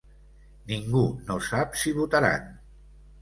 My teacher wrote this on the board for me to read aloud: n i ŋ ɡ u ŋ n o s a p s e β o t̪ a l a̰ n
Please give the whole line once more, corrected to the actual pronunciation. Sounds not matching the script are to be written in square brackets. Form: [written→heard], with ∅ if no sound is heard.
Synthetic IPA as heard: n i ŋ ɡ u [ŋ→∅] n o s a p s [e→i] β [o→u] t̪ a [l→ɾ] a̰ n